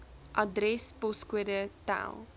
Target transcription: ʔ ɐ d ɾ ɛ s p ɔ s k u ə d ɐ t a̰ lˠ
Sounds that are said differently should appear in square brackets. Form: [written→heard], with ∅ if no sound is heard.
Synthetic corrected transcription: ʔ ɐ d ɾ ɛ s p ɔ s k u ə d [ɐ→ə] t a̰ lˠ

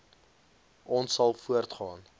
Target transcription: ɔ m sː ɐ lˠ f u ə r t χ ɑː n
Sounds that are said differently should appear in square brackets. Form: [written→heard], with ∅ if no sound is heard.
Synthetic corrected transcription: ɔ [m→n] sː ɐ lˠ f u ə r t χ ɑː n

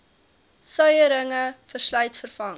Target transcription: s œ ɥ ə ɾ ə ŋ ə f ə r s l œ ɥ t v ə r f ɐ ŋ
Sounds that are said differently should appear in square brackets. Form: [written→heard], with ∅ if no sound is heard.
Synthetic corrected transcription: s œ ɥ ə ɾ ə ŋ ə f ə r s l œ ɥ t [v→f] ə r f ɐ ŋ

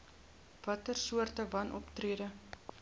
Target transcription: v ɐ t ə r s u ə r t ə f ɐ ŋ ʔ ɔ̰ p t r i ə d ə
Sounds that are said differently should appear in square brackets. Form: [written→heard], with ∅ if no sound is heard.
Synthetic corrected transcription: v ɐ t ə r s u ə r t ə [f→v] ɐ [ŋ→n] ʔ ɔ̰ p t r i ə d ə

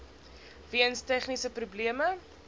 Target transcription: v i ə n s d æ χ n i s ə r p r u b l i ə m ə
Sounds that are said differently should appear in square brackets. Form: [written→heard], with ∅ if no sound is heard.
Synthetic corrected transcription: v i ə n s [d→t] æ χ n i s ə [r→∅] p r u b l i ə m ə

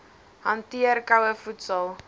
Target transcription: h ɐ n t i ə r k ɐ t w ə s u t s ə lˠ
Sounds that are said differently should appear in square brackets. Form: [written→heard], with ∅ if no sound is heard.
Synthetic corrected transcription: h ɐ n t i ə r k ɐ [t→∅] w ə [s→f] u t s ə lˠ

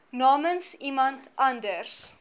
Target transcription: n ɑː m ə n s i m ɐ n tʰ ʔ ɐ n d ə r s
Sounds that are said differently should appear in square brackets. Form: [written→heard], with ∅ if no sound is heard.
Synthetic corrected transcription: n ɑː m ə n s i m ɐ n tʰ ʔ ɐ n d ə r s

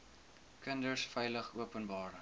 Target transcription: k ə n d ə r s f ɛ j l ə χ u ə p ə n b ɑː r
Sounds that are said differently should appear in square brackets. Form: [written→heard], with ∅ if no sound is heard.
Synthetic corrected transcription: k ə n d ə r s f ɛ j l ə χ u ə p ə n b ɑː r

